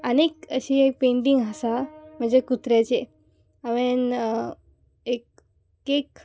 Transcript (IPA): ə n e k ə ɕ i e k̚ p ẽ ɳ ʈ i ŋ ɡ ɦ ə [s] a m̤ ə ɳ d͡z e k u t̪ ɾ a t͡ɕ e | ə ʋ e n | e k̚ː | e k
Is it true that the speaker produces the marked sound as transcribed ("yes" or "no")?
yes